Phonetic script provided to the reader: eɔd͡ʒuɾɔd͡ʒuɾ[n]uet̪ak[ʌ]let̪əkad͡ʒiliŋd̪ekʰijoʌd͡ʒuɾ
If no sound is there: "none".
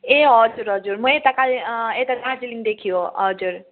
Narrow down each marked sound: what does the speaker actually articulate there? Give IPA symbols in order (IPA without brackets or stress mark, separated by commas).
m, a